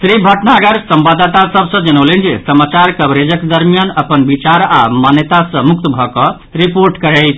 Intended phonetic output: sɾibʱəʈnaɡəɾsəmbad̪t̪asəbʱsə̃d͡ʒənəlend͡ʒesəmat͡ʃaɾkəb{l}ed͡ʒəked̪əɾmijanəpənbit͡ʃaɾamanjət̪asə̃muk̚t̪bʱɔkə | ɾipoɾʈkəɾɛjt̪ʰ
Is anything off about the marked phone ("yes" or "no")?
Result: yes